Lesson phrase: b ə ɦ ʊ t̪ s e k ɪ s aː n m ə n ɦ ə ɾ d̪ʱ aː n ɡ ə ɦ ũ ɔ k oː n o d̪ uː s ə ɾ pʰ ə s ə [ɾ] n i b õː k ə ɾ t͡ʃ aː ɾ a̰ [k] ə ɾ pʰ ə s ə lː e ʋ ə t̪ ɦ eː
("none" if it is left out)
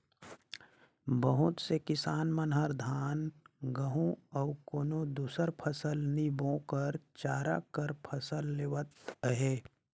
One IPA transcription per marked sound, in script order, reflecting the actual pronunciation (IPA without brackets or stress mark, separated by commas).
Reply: l, k